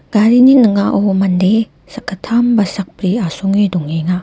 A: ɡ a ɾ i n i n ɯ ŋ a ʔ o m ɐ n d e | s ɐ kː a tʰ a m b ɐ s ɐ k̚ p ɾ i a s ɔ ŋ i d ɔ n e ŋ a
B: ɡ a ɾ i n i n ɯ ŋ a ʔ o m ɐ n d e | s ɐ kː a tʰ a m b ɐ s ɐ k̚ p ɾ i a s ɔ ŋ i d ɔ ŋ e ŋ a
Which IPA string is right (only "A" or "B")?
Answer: B